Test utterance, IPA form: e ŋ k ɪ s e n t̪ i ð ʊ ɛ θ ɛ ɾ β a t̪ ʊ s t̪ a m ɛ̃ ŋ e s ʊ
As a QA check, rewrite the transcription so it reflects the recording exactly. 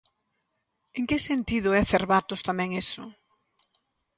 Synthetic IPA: e ŋ k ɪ s e n t̪ i ð ʊ ɛ θ e ɾ β a t̪ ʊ s t̪ a m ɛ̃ ŋ e s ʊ